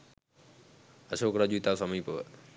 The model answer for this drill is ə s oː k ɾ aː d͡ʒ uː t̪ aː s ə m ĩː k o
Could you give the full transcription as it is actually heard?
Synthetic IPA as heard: ə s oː k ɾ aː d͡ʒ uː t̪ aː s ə m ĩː p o